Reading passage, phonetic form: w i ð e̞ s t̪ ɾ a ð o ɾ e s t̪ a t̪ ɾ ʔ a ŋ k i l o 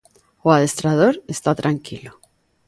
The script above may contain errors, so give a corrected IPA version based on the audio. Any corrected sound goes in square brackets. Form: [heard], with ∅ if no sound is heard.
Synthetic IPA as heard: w [a] ð e̞ s t̪ ɾ a ð o ɾ e s t̪ a t̪ ɾ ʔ a ŋ k i l o

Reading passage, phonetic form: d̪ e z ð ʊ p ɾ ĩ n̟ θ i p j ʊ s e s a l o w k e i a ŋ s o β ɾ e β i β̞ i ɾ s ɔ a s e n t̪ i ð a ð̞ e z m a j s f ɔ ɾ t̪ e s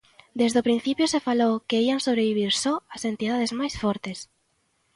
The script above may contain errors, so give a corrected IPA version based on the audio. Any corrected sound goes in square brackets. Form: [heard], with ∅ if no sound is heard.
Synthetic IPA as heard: d̪ e z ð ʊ p ɾ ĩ n̟ θ i p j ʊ s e [f] a l o w k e i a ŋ s o β ɾ e β i β̞ i ɾ s ɔ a s e n t̪ i ð a ð̞ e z m a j s f ɔ ɾ t̪ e s

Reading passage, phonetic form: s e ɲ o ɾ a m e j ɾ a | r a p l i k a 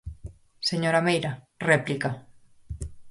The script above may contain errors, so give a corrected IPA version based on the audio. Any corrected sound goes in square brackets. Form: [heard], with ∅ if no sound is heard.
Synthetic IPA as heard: s e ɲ o ɾ a m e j ɾ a | r [e] p l i k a

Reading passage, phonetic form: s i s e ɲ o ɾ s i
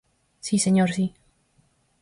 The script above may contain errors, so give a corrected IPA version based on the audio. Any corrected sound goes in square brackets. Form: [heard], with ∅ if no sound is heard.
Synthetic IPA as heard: s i s e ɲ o ɾ s i

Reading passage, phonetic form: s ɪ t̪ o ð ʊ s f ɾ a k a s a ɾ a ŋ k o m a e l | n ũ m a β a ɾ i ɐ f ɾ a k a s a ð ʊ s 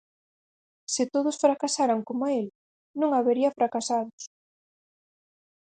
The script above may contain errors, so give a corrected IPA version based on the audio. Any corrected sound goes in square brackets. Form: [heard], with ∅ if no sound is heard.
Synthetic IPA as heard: s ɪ t̪ o ð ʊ s f ɾ a k a s a ɾ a ŋ k o m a e l | n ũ [ŋ] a β [e] ɾ i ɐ f ɾ a k a s a ð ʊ s

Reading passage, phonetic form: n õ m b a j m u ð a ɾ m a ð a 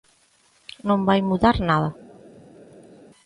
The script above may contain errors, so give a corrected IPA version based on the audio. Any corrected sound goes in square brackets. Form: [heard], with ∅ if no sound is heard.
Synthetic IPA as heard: n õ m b a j m u ð a ɾ [n] a ð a

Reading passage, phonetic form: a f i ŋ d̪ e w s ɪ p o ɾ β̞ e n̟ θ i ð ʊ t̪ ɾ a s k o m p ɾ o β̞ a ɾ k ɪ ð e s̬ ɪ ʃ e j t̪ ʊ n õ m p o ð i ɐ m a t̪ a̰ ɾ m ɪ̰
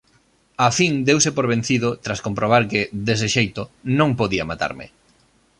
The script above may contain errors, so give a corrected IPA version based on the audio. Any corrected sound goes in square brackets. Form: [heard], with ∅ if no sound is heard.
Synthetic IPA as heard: a f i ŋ d̪ e w s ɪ p o ɾ β̞ e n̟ θ i ð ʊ t̪ ɾ a s k o m p ɾ o β̞ a ɾ k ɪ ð e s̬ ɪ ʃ e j t̪ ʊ n õ [ŋ] p o ð i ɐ m a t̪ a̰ ɾ m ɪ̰

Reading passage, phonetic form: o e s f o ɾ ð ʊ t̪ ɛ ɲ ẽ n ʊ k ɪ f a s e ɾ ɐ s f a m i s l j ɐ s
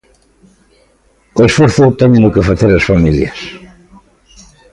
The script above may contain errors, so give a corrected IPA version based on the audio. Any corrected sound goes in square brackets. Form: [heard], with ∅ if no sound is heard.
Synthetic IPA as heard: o e s f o ɾ [θ] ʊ t̪ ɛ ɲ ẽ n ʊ k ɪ f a [θ] e ɾ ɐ s f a m i [∅] l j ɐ s

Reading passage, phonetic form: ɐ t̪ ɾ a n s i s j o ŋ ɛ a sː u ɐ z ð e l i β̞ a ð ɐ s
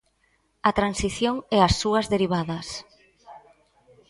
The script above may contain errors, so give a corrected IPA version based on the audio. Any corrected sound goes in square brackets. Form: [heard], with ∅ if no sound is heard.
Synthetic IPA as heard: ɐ t̪ ɾ a n s i [θ] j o ŋ ɛ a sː u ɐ z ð e [ɾ] i β̞ a ð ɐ s

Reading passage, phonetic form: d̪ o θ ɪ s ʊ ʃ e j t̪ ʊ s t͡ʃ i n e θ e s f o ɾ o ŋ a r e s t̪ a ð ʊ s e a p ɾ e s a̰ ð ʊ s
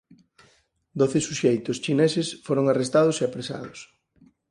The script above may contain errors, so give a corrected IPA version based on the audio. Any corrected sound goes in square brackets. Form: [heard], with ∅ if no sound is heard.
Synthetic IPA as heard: d̪ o θ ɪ s [u] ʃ e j t̪ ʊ s t͡ʃ i n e [s] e s f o ɾ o ŋ a r e s t̪ a ð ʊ s e a p ɾ e s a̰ ð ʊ s

